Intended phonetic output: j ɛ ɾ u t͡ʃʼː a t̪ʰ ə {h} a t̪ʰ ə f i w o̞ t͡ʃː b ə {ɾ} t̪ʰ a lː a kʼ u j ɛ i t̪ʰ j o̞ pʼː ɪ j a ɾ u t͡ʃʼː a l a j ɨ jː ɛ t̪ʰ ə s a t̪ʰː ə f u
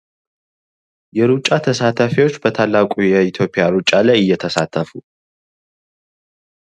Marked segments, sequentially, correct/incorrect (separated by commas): incorrect, incorrect